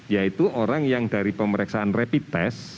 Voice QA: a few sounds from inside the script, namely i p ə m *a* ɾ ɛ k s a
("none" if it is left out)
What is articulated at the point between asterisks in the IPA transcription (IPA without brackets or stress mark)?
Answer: ə